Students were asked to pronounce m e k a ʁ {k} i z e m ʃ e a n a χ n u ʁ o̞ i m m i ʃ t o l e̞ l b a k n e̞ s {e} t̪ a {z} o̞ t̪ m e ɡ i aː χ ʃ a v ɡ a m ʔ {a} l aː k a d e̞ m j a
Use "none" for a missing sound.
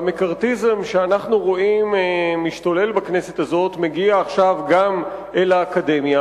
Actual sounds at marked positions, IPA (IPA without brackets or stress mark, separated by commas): t, e, z, e